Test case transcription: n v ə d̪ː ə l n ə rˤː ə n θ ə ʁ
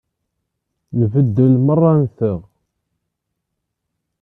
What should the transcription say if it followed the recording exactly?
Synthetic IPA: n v ə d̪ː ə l m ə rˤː ɑ n θ ə ʁ

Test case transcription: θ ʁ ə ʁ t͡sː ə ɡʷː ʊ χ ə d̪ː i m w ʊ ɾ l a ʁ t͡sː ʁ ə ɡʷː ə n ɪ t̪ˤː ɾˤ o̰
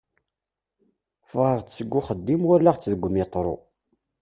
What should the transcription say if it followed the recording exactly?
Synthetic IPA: f ʁ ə ʁ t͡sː ə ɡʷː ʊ χ ə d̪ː i m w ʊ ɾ l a ʁ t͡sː ð ə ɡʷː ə m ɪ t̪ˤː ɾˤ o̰

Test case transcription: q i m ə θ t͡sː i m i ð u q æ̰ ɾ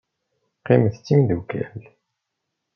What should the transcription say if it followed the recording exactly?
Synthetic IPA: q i m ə θ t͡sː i m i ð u k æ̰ l

